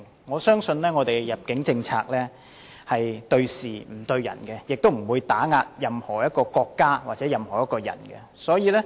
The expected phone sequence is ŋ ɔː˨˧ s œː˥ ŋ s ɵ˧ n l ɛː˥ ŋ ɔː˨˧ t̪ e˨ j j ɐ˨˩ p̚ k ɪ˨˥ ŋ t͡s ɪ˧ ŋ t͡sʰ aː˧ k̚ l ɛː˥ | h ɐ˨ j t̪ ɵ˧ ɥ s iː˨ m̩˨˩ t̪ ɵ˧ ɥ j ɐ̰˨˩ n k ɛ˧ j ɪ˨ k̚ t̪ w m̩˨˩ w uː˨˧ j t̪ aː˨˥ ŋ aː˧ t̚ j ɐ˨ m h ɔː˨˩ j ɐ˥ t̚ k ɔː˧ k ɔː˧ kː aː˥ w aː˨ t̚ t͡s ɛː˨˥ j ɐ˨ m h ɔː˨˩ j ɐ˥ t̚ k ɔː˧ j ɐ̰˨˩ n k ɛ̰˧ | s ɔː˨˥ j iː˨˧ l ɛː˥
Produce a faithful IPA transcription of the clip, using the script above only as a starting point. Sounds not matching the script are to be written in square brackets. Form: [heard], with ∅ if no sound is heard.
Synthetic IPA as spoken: ŋ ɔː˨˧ s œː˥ ŋ s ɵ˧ n l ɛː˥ ŋ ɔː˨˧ t̪ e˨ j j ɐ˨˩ p̚ k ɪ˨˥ ŋ t͡s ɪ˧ ŋ t͡sʰ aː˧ k̚ l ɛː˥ | h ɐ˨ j t̪ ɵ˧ ɥ s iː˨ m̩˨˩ t̪ ɵ˧ ɥ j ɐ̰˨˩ n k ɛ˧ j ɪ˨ k̚ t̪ w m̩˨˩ w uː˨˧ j t̪ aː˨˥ ŋ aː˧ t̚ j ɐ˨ m h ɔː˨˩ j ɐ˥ t̚ k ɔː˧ k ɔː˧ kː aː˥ w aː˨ t̚ t͡s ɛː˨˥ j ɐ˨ m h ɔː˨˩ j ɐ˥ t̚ k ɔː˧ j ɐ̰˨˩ n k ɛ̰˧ | s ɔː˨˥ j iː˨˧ l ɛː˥